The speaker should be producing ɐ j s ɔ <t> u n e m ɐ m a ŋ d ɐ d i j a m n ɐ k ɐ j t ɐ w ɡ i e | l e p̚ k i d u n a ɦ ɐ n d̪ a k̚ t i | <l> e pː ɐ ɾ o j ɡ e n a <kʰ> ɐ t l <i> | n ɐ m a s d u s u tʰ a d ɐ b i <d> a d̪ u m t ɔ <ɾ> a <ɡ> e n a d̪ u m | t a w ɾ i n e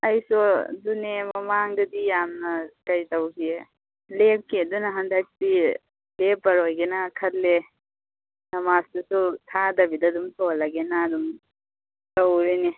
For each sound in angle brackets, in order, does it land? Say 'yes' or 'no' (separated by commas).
no, yes, yes, no, yes, no, yes